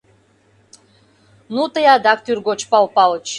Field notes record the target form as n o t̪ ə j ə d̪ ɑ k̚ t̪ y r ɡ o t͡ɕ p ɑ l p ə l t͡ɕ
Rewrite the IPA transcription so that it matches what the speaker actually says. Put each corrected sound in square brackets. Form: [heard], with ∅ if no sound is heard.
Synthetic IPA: n [u] t̪ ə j [ɑ] d̪ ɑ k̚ t̪ y r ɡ o t͡ɕ p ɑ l p [ɑ] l t͡ɕ